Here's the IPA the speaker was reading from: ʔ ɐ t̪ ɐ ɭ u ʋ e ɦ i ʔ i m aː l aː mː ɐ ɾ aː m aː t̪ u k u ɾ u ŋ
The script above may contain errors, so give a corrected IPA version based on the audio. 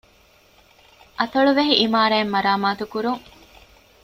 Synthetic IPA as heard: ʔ ɐ t̪ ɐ ɭ u ʋ e ɦ i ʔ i m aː ɾ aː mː ɐ ɾ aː m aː t̪ u k u ɾ u ŋ